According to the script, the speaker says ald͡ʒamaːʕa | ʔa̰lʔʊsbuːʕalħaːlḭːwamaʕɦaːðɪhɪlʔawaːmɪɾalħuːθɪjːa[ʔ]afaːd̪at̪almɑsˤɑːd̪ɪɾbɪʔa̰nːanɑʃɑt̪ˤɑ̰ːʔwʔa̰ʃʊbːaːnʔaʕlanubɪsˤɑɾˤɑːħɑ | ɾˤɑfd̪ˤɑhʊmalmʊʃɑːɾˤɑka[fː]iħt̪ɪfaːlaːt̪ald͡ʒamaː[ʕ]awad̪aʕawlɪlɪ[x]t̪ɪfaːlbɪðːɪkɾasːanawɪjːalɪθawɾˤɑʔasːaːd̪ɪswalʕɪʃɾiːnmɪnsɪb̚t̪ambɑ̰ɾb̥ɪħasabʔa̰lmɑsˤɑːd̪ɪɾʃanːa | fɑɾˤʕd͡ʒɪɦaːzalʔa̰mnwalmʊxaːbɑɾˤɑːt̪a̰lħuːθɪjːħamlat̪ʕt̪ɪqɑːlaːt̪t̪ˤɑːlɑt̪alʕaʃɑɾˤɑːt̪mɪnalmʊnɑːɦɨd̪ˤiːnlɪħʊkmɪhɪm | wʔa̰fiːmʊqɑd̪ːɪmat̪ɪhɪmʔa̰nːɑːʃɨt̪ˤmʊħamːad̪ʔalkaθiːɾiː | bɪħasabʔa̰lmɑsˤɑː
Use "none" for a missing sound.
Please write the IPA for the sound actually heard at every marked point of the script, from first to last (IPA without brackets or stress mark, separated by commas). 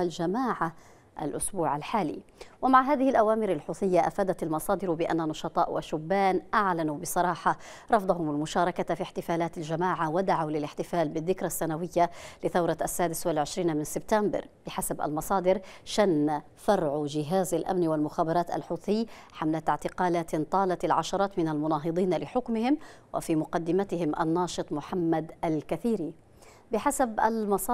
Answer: ʔ, f, ʕ, ħ